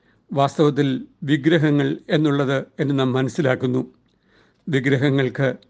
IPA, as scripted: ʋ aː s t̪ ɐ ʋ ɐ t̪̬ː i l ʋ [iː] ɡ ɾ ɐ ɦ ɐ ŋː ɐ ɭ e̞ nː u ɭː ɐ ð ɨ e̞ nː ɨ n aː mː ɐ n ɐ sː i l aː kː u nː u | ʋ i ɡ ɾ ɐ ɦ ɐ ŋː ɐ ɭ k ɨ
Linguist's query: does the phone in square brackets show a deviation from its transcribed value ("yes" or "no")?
yes